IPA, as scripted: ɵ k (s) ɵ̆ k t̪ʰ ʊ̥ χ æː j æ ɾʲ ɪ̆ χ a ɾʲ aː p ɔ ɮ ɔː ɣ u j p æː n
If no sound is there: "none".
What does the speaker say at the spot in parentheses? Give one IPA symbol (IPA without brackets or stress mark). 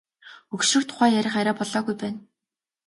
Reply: ʃ